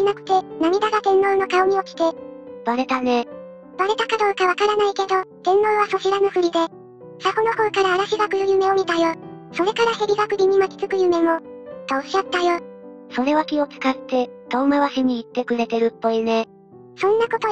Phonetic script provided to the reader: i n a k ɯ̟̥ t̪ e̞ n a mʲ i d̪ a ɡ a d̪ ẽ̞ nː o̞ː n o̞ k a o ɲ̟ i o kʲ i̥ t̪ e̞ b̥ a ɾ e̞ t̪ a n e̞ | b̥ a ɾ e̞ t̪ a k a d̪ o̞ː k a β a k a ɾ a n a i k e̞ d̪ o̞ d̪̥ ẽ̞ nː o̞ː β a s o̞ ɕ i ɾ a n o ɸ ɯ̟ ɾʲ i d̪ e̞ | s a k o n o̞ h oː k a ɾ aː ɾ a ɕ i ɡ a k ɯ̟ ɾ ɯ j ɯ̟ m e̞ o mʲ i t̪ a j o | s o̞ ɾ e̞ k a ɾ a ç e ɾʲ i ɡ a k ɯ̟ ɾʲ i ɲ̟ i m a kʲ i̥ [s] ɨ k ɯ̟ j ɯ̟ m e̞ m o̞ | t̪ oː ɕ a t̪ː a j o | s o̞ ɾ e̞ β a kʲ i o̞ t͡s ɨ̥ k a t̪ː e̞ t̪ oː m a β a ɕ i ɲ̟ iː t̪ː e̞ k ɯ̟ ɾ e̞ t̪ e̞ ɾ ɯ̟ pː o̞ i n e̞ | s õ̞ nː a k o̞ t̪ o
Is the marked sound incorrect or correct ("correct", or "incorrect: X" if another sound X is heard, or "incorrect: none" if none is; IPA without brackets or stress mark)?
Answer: incorrect: t͡s